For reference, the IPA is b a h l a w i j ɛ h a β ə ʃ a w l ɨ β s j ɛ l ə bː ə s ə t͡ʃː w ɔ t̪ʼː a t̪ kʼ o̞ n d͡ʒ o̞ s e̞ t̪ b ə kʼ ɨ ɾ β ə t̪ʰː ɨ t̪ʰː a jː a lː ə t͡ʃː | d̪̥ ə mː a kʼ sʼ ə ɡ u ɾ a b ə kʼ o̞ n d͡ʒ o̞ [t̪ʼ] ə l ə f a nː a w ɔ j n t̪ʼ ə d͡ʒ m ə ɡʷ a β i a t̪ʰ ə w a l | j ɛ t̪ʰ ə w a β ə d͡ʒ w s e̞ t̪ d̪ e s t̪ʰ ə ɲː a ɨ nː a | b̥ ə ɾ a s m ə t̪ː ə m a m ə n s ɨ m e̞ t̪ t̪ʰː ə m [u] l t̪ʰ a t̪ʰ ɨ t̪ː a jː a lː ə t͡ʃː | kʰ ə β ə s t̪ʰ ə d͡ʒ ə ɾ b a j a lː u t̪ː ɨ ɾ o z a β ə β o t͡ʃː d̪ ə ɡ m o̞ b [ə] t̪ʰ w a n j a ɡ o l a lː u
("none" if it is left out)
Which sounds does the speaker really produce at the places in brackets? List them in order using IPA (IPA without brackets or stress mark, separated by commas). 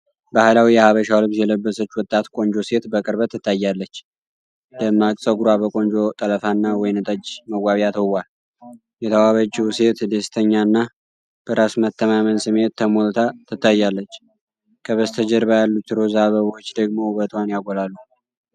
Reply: t̪ʼ, o, ə